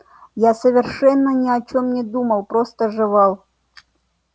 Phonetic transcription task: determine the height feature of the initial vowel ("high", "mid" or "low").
low